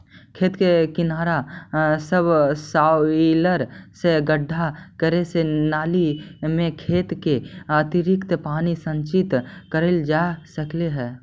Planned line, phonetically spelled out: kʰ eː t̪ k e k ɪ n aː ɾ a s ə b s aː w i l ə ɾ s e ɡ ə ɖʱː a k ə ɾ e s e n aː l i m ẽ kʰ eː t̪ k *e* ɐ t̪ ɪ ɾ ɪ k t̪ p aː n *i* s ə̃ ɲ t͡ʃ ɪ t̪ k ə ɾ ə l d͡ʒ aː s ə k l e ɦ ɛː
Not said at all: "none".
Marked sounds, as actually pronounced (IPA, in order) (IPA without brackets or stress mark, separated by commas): e, i